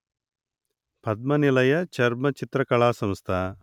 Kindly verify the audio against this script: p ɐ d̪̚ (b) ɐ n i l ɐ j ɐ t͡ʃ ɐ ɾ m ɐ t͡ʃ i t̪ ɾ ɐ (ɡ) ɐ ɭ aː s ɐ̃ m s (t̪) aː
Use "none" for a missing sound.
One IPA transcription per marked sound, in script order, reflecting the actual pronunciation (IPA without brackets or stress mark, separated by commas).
m, k, t̪ʰ